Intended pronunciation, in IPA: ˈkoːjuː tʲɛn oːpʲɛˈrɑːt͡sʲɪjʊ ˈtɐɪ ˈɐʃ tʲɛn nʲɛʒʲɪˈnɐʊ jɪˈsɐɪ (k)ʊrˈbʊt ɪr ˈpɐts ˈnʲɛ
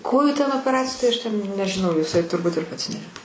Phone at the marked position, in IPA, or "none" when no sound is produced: t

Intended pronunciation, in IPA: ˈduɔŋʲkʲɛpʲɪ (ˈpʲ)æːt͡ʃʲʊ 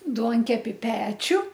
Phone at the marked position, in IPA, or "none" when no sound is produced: pʲ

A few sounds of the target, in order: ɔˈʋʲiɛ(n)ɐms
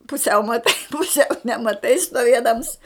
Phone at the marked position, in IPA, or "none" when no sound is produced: d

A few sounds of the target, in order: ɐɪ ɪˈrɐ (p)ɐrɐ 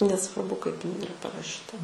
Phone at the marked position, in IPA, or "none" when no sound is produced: p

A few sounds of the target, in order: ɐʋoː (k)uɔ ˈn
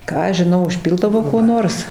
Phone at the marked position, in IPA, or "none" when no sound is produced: k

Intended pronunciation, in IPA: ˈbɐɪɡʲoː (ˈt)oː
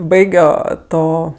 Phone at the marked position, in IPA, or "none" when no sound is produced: t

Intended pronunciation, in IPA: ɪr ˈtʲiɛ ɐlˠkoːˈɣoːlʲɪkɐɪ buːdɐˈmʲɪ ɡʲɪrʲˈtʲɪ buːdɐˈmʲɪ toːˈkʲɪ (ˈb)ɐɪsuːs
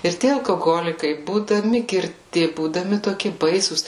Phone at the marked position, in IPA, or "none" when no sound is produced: b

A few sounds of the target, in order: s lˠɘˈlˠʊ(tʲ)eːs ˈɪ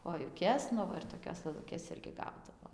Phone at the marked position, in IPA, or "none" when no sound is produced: kʲ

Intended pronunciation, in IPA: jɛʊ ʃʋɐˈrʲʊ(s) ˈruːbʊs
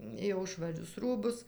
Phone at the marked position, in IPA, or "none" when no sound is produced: s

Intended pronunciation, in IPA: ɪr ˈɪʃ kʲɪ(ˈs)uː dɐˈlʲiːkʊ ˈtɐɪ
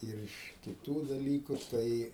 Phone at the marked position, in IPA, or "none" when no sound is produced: t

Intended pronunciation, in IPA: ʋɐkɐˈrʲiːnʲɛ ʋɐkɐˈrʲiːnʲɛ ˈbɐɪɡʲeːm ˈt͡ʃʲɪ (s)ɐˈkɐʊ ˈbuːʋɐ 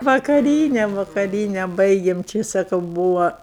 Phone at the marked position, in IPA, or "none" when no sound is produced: s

